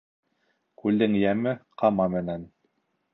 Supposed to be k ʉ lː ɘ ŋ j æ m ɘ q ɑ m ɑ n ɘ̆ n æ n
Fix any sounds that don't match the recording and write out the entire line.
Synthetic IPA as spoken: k ʉ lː ɘ ŋ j æ m ɘ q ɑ m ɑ m ɘ̆ n æ n

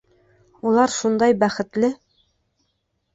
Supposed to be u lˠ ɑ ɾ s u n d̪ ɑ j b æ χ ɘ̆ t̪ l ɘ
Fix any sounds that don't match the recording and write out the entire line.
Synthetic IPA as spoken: u lˠ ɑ ɾ ʃ u n d̪ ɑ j b æ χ ɘ̆ t̪ l ɘ

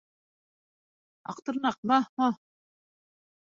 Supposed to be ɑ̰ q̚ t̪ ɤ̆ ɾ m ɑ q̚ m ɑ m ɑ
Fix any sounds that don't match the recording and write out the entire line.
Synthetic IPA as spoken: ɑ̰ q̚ t̪ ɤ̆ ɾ n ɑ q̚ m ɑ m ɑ

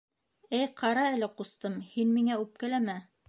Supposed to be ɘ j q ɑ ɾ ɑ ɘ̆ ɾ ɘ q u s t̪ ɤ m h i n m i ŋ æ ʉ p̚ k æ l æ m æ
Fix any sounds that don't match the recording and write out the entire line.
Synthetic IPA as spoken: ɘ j q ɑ ɾ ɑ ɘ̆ l ɘ q u s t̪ ɤ m h i n m i ŋ æ ʉ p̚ k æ l æ m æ

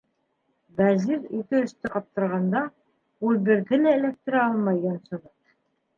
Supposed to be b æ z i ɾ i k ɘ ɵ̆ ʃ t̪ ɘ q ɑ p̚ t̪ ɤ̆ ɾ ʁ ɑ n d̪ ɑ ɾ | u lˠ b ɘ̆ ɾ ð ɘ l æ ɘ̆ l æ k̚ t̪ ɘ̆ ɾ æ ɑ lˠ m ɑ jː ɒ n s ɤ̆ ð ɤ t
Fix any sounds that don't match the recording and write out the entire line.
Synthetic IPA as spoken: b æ z i ɾ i k ɘ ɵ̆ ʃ t̪ ɘ q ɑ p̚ t̪ ɤ̆ ɾ ʁ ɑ n d̪ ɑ | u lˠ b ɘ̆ ɾ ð ɘ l æ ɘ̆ l æ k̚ t̪ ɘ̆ ɾ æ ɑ lˠ m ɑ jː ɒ n s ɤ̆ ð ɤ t

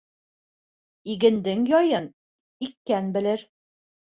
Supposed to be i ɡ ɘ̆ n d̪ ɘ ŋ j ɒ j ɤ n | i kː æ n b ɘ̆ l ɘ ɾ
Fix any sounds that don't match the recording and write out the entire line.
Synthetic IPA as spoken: i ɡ ɘ̆ n d̪ ɘ ŋ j ɒ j ɤ n | i kː æ n b ɘ̆ l ɘ ɾ

